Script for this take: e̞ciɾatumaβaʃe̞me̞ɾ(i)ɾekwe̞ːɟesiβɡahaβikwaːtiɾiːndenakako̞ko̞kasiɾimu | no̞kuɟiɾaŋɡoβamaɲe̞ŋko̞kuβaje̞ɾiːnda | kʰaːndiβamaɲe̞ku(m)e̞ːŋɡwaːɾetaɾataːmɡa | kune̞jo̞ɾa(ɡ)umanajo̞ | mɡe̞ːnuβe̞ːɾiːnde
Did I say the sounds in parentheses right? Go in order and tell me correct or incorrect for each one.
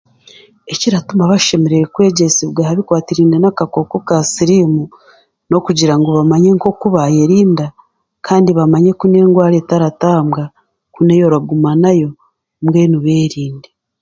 incorrect: e, incorrect: n, correct

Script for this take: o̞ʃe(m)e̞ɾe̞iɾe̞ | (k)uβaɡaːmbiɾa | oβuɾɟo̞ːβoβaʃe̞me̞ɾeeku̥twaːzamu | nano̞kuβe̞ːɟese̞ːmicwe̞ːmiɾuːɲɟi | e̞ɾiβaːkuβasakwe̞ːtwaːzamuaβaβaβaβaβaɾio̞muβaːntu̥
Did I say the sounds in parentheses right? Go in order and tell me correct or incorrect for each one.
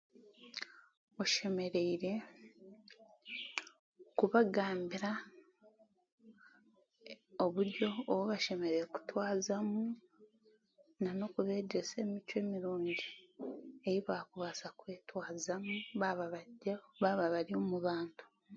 correct, correct

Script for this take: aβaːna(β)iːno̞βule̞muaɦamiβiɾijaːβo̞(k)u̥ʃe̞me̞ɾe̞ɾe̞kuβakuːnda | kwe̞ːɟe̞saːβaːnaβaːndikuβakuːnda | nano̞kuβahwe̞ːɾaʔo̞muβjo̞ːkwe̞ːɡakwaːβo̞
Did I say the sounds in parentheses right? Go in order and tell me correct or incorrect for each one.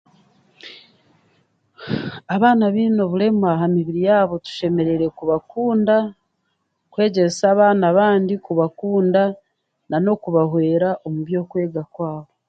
correct, incorrect: t

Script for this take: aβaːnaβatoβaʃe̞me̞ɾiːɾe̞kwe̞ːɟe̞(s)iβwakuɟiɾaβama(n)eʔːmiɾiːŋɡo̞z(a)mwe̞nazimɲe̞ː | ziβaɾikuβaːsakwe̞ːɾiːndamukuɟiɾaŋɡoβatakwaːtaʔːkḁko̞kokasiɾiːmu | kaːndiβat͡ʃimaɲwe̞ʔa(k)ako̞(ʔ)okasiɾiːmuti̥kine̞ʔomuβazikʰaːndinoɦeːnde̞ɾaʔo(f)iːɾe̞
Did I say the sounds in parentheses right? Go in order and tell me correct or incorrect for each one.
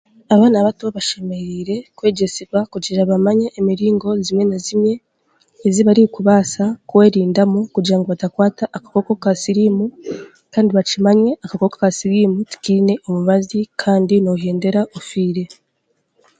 correct, incorrect: ɲ, incorrect: i, correct, incorrect: k, correct

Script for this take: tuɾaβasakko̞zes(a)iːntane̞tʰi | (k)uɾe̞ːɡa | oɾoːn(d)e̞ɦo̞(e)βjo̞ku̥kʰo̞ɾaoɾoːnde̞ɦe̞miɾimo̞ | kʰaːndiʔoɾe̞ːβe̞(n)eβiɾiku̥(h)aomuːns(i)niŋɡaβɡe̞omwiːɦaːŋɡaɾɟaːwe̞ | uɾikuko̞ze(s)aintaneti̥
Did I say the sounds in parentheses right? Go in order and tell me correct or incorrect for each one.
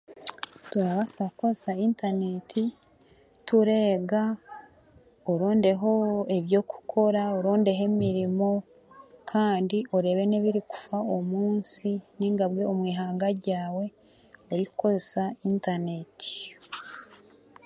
correct, incorrect: t, correct, correct, correct, incorrect: f, correct, correct

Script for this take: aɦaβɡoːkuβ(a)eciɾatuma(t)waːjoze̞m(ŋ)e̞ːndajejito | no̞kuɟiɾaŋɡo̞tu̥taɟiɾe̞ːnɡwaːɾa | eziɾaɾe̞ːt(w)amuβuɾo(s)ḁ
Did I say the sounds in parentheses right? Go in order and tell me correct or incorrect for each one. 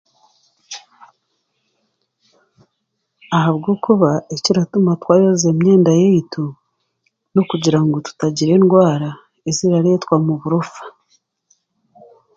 correct, correct, incorrect: ɲ, correct, incorrect: f

